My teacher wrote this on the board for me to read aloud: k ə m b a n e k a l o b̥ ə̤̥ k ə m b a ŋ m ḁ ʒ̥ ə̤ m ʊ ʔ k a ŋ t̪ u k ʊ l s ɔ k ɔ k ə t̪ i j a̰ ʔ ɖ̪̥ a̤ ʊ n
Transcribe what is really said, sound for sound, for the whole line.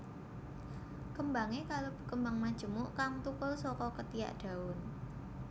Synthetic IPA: k ə m b a ŋ e k a l o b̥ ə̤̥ k ə m b a ŋ m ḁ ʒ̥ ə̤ m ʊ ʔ k a ŋ t̪ u k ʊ l s ɔ k ɔ k ə t̪ i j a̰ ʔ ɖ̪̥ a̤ ʊ n